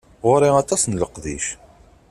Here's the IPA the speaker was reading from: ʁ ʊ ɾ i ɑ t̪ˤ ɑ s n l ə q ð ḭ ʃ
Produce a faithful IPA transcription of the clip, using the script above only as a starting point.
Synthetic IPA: ʁ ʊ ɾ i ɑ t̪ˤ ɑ s n l ə q ð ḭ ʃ